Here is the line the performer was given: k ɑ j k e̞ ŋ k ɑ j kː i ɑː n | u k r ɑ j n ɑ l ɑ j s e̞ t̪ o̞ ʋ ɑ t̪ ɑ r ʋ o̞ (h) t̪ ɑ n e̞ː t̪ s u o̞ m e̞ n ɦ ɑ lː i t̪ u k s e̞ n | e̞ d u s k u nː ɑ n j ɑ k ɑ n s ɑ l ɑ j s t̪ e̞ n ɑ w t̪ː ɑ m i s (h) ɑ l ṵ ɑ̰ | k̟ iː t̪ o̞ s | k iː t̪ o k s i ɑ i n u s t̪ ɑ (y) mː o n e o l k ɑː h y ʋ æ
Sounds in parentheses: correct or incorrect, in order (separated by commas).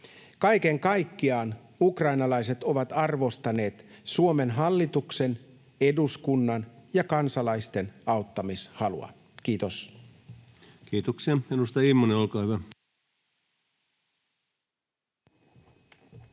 incorrect, correct, incorrect